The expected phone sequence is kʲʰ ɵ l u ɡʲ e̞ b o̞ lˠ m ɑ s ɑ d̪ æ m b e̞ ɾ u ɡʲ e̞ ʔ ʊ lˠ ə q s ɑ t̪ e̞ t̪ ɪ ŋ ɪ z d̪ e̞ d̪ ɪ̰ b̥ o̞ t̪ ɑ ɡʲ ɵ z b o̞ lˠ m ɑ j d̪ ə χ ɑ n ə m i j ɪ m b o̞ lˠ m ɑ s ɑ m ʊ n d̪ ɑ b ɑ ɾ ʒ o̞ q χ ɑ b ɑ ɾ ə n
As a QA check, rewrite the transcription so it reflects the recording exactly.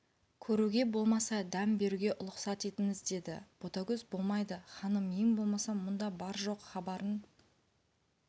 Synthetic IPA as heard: kʲʰ ɵ ɾ u ɡʲ e̞ b o̞ lˠ m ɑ s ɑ d̪ æ m b e̞ ɾ u ɡʲ e̞ ʔ ʊ lˠ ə q s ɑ t̪ e̞ t̪ ɪ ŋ ɪ z d̪ e̞ d̪ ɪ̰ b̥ o̞ t̪ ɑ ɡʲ ɵ z b o̞ lˠ m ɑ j d̪ ə χ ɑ n ə m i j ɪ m b o̞ lˠ m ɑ s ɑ m ʊ n d̪ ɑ b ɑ ɾ ʒ o̞ q χ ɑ b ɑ ɾ ə n

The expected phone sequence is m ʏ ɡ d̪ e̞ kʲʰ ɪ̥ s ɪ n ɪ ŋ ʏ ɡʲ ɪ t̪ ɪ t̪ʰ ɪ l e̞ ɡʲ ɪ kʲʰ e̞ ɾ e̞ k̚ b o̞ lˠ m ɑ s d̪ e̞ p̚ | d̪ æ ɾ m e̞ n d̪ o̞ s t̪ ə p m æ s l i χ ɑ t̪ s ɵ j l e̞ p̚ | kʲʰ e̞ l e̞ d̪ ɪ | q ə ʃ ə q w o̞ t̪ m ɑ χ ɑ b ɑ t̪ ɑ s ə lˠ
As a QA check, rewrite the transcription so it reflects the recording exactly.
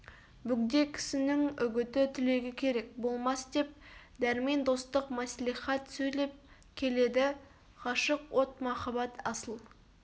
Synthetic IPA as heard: b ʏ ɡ d̪ e̞ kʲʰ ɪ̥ s ɪ n ɪ ŋ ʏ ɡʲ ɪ t̪ ɪ t̪ʰ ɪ l e̞ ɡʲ ɪ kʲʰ e̞ ɾ e̞ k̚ b o̞ lˠ m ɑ s d̪ e̞ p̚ | d̪ æ ɾ m e̞ n d̪ o̞ s t̪ ə q m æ s l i χ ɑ t̪ s ɵ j l e̞ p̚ | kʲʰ e̞ l e̞ d̪ ɪ | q ɑ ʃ ə q w o̞ t̪ m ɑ χ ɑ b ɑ t̪ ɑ s ə lˠ

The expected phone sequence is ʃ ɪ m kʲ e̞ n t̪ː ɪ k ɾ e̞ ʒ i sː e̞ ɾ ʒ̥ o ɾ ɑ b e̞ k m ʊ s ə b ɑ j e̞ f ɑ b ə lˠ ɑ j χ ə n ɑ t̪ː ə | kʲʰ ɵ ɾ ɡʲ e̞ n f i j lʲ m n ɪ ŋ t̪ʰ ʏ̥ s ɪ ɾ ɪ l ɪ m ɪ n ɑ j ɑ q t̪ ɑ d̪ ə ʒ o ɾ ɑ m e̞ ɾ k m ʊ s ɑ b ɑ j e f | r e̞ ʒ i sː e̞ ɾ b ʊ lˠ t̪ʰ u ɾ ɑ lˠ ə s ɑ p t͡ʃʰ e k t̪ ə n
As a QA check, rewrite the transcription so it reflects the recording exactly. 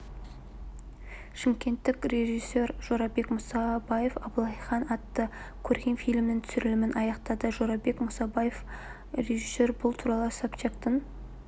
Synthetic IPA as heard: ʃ ɪ m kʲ e̞ n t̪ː ɪ k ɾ e̞ ʒ i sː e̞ ɾ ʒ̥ o ɾ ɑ b e̞ k m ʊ s ɑ b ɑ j e̞ f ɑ b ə lˠ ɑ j χ ɑ n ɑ t̪ː ə | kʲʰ ɵ ɾ ɡʲ e̞ n f i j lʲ m n ɪ ŋ t̪ʰ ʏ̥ s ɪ ɾ ɪ l ɪ m ɪ n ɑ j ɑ q t̪ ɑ d̪ ə ʒ o ɾ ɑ b e̞ k m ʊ s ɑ b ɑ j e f | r e̞ ʒ i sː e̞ ɾ b ʊ lˠ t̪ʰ u ɾ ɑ lˠ ə s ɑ p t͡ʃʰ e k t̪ ə n

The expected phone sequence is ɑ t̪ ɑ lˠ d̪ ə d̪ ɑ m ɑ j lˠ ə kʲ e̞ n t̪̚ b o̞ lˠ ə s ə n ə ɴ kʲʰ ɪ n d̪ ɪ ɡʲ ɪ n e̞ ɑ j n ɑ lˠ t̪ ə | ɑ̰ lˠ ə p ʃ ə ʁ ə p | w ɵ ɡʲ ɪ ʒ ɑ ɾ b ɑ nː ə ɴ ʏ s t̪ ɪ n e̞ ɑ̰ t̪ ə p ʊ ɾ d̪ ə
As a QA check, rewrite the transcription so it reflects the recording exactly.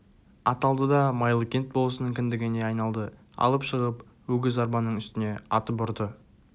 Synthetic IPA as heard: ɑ t̪ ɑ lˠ d̪ ə d̪ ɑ m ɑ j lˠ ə kʲ e̞ n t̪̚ b o̞ lˠ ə s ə n ə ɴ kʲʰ ɪ n d̪ ɪ ɡʲ ɪ n e̞ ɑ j n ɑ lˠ d̪ ə | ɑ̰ lˠ ə p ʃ ə ʁ ə p | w ɵ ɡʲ ɪ z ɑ ɾ b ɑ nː ə ɴ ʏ s t̪ ɪ n e̞ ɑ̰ t̪ ə p ʊ ɾ d̪ ə

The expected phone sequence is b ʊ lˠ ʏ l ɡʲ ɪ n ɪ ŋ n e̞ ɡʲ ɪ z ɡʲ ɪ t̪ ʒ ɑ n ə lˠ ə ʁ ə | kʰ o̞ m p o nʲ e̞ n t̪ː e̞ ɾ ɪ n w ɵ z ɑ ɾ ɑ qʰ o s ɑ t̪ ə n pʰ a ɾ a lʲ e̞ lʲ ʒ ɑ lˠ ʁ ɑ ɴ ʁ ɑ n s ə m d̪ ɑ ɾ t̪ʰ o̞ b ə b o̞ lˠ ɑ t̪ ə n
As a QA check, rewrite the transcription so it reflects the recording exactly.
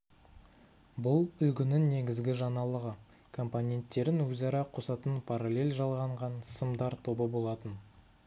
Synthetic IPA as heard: b ʊ lˠ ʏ l ɡʲ ɪ n ɪ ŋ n e̞ ɡʲ ɪ z ɡʲ ɪ ʒ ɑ n ɑ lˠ ə ʁ ə | kʰ o̞ m p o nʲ e̞ n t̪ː e̞ ɾ ɪ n w ɵ z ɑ ɾ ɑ qʰ o s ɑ t̪ ə n pʰ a ɾ a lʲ e̞ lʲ ʒ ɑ lˠ ʁ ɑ ɴ ʁ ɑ n s ə m d̪ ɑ ɾ t̪ʰ o̞ b ə b o̞ lˠ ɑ t̪ ə n

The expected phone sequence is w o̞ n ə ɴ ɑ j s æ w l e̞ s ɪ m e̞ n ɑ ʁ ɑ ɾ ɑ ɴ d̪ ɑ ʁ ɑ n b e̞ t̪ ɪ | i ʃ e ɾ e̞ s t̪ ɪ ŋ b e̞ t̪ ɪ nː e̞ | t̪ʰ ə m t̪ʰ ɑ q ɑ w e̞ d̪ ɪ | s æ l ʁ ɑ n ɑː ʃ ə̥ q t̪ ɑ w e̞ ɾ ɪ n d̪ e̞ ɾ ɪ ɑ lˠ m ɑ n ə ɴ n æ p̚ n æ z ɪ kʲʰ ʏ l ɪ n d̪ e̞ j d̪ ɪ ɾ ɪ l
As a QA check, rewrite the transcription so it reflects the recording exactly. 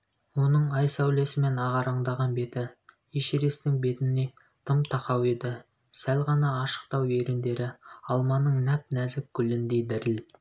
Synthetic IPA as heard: w o̞ n ə ɴ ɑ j s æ w l e̞ s ɪ m e̞ n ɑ ʁ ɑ ɾ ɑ ɴ d̪ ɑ ʁ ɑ n b e̞ t̪ ɪ | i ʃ e ɾ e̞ s t̪ ɪ ŋ b e̞ t̪ ɪ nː e̞ | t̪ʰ ə m t̪ʰ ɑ q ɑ w e̞ d̪ ɪ | s æ l ʁ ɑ n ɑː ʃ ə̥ q t̪ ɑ w e̞ ɾ ɪ n d̪ e̞ ɾ ɪ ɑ lˠ m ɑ n ə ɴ n æ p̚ n æ z ɪ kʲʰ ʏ l ɪ n d̪ e̞ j d̪ ɪ ɾ ɪ l

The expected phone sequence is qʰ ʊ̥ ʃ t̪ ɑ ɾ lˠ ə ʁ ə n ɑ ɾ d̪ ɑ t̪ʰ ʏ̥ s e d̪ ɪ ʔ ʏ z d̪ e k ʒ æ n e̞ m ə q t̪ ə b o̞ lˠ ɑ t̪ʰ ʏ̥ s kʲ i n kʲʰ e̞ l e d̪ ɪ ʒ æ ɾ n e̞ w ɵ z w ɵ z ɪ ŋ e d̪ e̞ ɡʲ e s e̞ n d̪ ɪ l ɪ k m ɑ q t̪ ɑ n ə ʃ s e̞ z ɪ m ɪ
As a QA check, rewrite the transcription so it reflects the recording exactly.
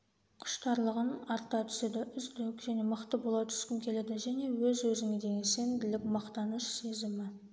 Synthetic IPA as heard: qʰ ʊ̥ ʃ t̪ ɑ ɾ lˠ ə ʁ ə n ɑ ɾ t̪ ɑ t̪ʰ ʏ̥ s e d̪ ɪ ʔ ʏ z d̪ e k ʒ æ n e̞ m ə q t̪ ə b o̞ lˠ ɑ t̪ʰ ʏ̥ s kʲ ɪ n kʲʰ e̞ l e d̪ ɪ ʒ æ n e̞ w ɵ z w ɵ z ɪ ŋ e d̪ e̞ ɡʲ e s e̞ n d̪ ɪ l ɪ k m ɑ q t̪ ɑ n ə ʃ s e̞ z ɪ m ɪ

